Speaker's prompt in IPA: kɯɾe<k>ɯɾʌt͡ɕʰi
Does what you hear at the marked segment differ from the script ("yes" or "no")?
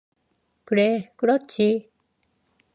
no